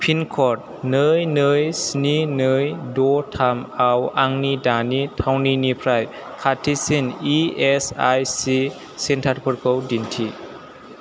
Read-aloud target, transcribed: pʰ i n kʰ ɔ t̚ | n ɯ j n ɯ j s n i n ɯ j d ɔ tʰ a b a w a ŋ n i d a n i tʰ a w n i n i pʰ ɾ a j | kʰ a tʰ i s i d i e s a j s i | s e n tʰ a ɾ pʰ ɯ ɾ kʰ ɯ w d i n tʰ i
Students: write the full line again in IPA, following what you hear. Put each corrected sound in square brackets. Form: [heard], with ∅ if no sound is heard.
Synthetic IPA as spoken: pʰ i n kʰ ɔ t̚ | n ɯ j n ɯ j s n i n ɯ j d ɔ tʰ a [m] a w a ŋ n i d a n i tʰ a w n i n i pʰ ɾ a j | kʰ a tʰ i s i [n] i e s a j s i | s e n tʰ a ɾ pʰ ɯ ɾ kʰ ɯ w d i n tʰ i